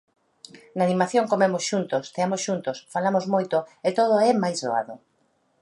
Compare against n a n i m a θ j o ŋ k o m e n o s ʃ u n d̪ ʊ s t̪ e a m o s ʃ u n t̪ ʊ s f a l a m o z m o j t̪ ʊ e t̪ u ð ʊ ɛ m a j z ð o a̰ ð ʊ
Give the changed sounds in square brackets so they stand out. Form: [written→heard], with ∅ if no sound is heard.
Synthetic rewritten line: n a n i m a θ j o ŋ k o m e [n→m] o s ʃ u n [d̪→t̪] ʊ s t̪ e a m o s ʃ u n t̪ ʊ s f a l a m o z m o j t̪ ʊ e t̪ [u→o] ð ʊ ɛ m a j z ð o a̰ ð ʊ